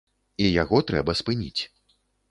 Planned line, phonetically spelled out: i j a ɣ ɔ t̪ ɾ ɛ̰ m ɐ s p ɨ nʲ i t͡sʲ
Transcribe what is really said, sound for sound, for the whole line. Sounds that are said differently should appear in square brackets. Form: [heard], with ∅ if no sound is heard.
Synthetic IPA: i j a ɣ ɔ t̪ ɾ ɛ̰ [b] ɐ s p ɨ nʲ i t͡sʲ

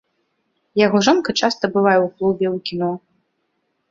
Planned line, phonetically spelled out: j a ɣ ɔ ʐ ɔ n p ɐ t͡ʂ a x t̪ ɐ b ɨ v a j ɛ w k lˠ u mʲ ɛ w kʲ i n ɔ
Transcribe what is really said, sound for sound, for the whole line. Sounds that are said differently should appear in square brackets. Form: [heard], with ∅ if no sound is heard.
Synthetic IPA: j a ɣ ɔ ʐ ɔ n [k] ɐ t͡ʂ a [s] t̪ ɐ b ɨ v a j ɛ w k lˠ u [bʲ] ɛ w kʲ i n ɔ

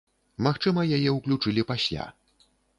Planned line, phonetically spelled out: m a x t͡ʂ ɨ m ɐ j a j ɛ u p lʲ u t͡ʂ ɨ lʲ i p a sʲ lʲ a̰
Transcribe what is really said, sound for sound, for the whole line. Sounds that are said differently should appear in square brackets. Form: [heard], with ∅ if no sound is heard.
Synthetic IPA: m a x t͡ʂ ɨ m ɐ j a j ɛ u [k] lʲ u t͡ʂ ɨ lʲ i p a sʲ lʲ a̰

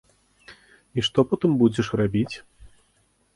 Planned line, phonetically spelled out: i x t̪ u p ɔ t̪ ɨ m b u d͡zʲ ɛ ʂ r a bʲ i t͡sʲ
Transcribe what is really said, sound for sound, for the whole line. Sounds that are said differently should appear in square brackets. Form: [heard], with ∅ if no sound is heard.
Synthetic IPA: i [ʂ] t̪ [ɔ] p ɔ t̪ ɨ m b u d͡zʲ ɛ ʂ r a bʲ i t͡sʲ

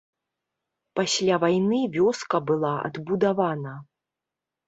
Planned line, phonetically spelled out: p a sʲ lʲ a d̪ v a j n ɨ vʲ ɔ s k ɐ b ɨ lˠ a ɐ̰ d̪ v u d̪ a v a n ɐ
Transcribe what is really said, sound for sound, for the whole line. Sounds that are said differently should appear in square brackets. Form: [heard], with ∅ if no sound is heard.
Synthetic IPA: p a sʲ lʲ a [∅] v a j n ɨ vʲ ɔ s k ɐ b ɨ lˠ a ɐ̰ d̪ [b] u d̪ a v a n ɐ

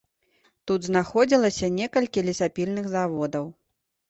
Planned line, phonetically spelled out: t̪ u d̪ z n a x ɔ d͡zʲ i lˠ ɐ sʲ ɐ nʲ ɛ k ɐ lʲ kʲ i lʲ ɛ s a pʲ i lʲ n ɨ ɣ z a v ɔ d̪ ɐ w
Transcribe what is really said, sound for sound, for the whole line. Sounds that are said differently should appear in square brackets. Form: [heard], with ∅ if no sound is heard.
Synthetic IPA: t̪ u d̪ z n a x ɔ d͡zʲ i lˠ ɐ sʲ ɐ nʲ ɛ k ɐ lʲ kʲ i lʲ [i] s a pʲ i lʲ n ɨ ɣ z a v ɔ d̪ ɐ w

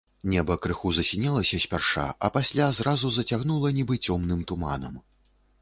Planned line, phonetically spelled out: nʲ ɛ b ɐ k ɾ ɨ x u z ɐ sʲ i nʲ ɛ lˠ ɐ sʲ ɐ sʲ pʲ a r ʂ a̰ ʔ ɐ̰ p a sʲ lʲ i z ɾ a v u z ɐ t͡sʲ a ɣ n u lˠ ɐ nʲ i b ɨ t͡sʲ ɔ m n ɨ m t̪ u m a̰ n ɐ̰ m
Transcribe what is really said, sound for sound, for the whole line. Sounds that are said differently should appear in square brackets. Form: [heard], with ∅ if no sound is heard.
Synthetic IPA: nʲ ɛ b ɐ k ɾ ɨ x u z ɐ sʲ i nʲ ɛ lˠ ɐ sʲ ɐ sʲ pʲ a r ʂ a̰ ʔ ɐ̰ p a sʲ lʲ [a] z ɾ a [z] u z ɐ t͡sʲ a ɣ n u lˠ ɐ nʲ i b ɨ t͡sʲ ɔ m n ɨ m t̪ u m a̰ n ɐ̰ m

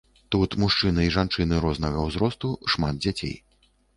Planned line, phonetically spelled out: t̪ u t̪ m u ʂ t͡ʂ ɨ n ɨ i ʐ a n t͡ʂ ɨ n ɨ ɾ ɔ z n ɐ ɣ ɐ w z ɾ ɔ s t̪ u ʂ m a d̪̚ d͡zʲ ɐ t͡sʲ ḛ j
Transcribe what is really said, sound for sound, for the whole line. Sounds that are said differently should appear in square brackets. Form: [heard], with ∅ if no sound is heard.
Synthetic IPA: t̪ u t̪ m u ʂ t͡ʂ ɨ n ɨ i ʐ a n t͡ʂ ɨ n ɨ ɾ ɔ z n ɐ ɣ ɐ w z ɾ ɔ s t̪ u ʂ m a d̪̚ d͡zʲ [a] t͡sʲ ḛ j

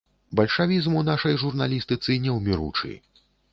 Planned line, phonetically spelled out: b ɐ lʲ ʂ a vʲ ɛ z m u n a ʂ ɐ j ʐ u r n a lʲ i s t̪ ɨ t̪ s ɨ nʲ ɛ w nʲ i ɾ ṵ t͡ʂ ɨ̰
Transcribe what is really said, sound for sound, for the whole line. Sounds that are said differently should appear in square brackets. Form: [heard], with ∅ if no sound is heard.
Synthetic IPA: b ɐ lʲ ʂ a vʲ [i] z m u n a ʂ ɐ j ʐ u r n a lʲ i s t̪ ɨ t̪ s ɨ nʲ ɛ w [mʲ] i ɾ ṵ t͡ʂ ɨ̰

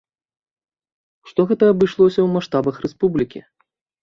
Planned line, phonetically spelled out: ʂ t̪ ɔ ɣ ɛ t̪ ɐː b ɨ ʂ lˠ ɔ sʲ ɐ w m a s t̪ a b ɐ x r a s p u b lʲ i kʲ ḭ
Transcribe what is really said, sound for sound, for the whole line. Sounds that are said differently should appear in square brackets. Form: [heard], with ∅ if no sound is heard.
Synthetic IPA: ʂ t̪ ɔ ɣ ɛ t̪ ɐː b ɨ ʂ lˠ ɔ sʲ ɐ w m a [ʂ] t̪ a b ɐ x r [ɛ] s p u b lʲ i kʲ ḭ

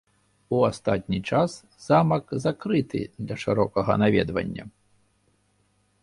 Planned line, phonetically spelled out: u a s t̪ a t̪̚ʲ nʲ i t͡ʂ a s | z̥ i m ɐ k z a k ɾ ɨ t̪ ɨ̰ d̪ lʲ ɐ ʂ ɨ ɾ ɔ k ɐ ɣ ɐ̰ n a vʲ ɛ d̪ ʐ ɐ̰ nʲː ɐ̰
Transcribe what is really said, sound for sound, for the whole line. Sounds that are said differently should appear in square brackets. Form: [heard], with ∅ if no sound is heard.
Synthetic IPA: u a s t̪ a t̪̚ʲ nʲ i t͡ʂ a s | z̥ [a] m ɐ k z a k ɾ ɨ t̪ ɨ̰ d̪ lʲ ɐ ʂ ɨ ɾ ɔ k ɐ ɣ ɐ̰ n a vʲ ɛ d̪ [v] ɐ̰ nʲː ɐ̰

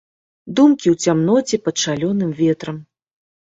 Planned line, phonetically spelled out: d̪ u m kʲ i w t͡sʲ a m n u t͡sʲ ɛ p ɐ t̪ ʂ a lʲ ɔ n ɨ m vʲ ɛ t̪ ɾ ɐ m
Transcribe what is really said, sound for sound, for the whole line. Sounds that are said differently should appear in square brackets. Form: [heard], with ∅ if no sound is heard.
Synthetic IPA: d̪ u m kʲ i w t͡sʲ a m n [ɔ] t͡sʲ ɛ p ɐ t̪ ʂ a lʲ ɔ n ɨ m vʲ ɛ t̪ ɾ ɐ m

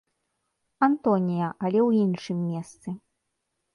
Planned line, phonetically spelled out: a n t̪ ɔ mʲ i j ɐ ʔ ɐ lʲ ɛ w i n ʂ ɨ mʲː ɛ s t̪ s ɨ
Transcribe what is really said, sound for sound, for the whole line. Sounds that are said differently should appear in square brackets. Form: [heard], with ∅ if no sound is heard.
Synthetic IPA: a n t̪ ɔ [nʲ] i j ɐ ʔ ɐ lʲ ɛ w i n ʂ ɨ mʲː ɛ s t̪ s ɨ

